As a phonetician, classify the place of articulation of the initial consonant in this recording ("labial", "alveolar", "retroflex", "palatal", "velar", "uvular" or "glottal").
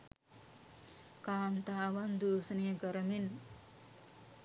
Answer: velar